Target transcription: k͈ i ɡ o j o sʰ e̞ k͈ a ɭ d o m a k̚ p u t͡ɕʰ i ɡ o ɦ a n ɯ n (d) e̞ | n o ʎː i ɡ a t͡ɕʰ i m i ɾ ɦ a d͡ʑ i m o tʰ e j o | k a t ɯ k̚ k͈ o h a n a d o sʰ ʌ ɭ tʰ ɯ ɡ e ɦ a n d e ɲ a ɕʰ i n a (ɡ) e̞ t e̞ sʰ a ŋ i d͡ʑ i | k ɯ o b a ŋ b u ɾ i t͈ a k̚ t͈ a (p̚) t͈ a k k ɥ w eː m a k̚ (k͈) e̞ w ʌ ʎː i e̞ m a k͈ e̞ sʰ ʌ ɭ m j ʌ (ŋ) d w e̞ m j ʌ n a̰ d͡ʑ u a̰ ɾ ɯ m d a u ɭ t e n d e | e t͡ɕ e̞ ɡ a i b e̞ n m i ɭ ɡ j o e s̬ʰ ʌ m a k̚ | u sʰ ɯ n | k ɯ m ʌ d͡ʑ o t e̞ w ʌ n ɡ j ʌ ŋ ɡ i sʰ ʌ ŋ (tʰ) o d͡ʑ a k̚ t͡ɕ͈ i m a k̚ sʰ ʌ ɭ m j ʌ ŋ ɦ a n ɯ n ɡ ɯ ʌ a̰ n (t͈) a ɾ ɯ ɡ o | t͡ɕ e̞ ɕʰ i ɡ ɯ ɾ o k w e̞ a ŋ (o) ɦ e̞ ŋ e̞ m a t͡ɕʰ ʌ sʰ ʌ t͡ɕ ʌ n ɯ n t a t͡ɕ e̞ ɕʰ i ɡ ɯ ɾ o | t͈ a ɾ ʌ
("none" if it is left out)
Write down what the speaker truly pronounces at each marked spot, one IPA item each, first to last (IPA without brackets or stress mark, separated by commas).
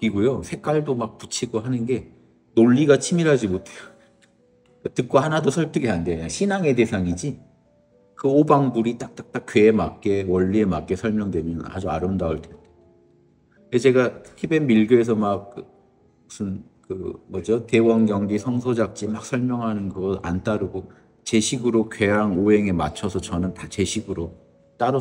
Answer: ɡ, ŋ, k̚, k͈, ŋ, sʰ, t͈, o